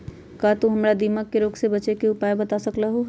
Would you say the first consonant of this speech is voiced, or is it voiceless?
voiceless